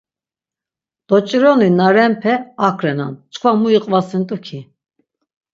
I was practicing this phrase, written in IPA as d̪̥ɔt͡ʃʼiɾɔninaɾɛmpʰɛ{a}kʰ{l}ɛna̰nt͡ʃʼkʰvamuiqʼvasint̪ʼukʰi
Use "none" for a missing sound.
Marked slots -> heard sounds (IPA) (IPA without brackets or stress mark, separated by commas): a, ɾ